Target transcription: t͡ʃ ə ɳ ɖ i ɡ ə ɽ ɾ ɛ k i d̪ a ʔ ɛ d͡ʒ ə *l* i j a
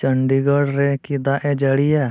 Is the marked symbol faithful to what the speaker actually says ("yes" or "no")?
no